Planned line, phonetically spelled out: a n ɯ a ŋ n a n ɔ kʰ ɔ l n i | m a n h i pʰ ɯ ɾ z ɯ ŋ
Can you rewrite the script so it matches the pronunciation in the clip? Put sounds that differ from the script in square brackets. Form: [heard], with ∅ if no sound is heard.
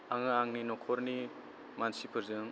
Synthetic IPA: a [ŋ] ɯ a ŋ n [i] n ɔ kʰ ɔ [ɾ] n i | m a n [s] i pʰ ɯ ɾ z ɯ ŋ